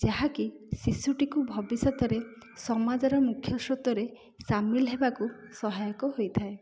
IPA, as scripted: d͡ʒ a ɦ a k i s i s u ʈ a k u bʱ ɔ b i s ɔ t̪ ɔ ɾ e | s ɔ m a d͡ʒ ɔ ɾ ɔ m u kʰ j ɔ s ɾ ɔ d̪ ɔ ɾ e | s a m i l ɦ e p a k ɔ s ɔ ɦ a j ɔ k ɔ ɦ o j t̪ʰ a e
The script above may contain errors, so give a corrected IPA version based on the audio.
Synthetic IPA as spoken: d͡ʒ a ɦ a k i s i s u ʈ i k u bʱ ɔ b i s ɔ t̪ ɔ ɾ e | s ɔ m a d͡ʒ ɔ ɾ ɔ m u kʰ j ɔ s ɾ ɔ t̪ ɔ ɾ e | s a m i l ɦ e b a k u s ɔ ɦ a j ɔ k ɔ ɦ o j t̪ʰ a e